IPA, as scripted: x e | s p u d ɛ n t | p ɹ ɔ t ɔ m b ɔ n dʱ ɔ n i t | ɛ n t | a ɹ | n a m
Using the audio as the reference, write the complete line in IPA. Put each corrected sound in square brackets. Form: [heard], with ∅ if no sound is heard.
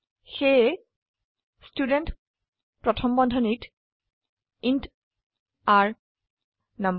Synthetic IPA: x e | s [t] u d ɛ n t | p ɹ ɔ [tʰ] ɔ m b ɔ n dʱ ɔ n i t | [i] n t | a ɹ | n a m